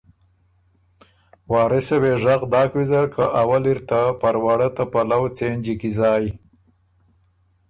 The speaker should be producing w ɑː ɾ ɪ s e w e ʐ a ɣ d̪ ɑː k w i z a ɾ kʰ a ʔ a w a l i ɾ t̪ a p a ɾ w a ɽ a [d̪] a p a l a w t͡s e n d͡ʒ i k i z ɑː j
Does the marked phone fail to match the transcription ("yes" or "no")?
yes